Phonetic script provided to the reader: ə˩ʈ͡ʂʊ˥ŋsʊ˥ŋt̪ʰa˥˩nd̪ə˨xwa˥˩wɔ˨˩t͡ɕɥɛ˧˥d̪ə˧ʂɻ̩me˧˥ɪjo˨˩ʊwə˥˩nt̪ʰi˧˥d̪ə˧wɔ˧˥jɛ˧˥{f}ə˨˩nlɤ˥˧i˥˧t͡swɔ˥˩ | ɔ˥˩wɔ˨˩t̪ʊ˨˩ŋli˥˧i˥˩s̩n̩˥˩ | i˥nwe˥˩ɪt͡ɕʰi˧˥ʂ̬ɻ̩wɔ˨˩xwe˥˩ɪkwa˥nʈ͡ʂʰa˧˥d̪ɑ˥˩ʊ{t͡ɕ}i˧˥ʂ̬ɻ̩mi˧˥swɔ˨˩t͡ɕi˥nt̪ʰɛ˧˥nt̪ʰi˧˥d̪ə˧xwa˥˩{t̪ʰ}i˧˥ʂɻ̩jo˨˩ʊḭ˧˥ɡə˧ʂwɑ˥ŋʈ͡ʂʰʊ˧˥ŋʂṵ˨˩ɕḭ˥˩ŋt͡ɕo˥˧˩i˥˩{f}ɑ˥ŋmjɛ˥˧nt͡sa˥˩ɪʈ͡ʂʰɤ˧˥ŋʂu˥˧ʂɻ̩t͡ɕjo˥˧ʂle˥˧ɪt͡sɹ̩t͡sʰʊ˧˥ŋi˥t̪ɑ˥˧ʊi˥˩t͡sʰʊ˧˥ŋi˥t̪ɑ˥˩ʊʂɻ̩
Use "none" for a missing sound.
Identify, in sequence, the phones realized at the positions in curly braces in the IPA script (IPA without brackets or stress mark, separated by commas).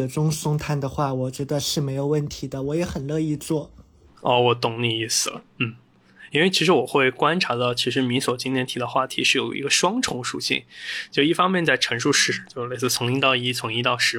x, t͡ɕʰ, t̪ʰ, f